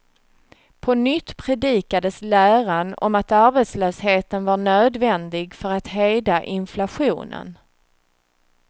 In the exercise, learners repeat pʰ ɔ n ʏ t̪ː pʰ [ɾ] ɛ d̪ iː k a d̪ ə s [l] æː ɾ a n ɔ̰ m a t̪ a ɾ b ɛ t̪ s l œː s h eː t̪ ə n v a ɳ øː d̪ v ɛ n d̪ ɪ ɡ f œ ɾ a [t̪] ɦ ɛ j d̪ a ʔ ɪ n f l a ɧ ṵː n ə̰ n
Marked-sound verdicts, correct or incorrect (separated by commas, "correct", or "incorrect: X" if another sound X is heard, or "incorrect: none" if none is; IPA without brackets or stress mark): correct, correct, correct